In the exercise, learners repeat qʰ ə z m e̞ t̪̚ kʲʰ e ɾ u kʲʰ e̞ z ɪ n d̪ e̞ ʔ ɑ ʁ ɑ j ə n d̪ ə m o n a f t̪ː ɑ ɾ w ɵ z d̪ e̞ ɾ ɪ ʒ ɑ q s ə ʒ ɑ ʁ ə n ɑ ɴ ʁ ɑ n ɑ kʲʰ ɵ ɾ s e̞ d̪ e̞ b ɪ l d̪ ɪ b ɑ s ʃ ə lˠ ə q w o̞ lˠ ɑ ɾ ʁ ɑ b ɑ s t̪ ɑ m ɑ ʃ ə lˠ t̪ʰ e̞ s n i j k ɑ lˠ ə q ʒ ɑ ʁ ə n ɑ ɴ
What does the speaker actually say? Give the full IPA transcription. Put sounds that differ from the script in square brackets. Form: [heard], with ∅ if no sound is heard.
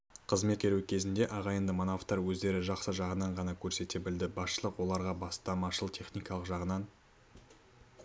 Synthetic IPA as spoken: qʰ ə z m e̞ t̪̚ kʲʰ e ɾ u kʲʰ e̞ z ɪ n d̪ e̞ ʔ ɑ ʁ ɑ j ə n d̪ ə m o n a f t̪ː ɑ ɾ w ɵ z d̪ e̞ ɾ ɪ ʒ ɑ q s ə ʒ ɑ ʁ ə n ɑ ɴ ʁ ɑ n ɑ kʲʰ ɵ ɾ s e̞ [t̪] e̞ b ɪ l d̪ ɪ b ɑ s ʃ ə lˠ ə q w o̞ lˠ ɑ ɾ ʁ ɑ b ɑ s t̪ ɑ m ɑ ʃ ə lˠ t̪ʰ e̞ [χ] n i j k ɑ lˠ ə q ʒ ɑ ʁ ə n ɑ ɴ